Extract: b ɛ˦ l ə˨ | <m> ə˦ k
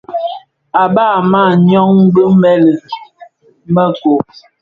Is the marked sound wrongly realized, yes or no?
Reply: no